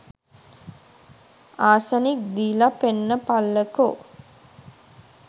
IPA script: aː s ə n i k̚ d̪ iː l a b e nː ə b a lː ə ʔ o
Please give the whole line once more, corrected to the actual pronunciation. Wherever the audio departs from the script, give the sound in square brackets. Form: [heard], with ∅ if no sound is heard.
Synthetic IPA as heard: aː s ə n i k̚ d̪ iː l a [p] e nː ə [p] a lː ə [k] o